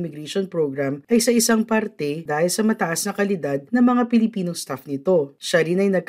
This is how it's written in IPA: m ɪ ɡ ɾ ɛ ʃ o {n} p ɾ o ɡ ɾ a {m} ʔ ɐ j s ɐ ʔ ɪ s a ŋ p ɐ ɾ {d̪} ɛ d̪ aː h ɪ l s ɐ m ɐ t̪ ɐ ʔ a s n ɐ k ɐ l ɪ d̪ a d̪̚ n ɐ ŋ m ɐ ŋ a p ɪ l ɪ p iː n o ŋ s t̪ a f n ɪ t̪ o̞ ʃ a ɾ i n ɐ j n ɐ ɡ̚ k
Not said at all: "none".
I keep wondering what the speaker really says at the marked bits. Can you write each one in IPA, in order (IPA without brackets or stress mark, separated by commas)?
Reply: n, m, t̪